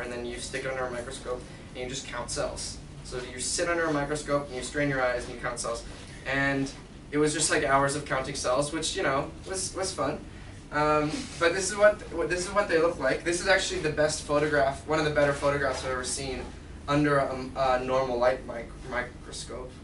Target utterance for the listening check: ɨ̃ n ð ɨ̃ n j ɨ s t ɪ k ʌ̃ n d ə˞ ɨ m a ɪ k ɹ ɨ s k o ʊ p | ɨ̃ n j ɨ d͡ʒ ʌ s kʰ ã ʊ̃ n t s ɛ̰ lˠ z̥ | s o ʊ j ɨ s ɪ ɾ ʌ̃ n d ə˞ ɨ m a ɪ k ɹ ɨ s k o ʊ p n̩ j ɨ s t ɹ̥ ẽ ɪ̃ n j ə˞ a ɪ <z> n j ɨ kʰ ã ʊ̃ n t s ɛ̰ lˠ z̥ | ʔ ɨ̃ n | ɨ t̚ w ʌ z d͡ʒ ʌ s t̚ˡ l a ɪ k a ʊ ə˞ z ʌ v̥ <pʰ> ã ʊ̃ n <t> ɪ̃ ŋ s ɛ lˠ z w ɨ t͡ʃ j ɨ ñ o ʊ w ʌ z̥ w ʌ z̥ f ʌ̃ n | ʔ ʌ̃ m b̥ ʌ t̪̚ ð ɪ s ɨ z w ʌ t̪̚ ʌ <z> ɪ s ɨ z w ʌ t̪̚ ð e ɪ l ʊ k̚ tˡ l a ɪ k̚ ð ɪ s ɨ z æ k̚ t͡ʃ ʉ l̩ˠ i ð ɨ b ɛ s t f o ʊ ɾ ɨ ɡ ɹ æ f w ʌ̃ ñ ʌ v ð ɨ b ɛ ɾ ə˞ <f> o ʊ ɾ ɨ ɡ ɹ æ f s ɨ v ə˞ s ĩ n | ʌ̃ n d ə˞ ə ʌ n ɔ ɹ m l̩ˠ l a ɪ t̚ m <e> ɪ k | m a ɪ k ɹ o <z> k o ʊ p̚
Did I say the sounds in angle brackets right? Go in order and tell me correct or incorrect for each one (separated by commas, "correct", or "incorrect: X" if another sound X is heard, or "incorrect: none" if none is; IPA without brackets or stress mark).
correct, incorrect: kʰ, correct, incorrect: ð, correct, incorrect: a, incorrect: s